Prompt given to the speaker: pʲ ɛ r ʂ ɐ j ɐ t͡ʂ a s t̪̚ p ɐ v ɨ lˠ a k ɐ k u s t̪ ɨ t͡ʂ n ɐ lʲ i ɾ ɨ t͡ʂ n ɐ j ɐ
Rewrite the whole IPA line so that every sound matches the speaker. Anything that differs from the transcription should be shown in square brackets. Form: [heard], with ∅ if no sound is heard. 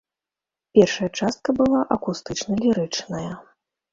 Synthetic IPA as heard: pʲ ɛ r ʂ ɐ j ɐ t͡ʂ a s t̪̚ [k] ɐ [b] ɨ lˠ a [ʔ] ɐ k u s t̪ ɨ t͡ʂ n ɐ lʲ i ɾ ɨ t͡ʂ n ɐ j ɐ